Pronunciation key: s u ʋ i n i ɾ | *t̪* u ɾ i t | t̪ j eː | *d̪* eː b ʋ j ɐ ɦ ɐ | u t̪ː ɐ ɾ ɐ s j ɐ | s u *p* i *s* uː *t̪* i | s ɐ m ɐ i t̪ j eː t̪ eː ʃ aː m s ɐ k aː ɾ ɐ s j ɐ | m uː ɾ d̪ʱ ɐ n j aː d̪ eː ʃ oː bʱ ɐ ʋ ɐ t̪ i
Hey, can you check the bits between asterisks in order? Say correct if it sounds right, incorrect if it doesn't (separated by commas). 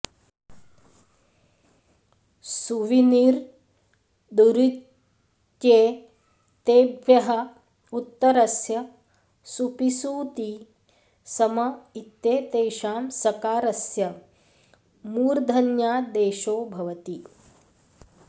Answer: incorrect, incorrect, correct, correct, correct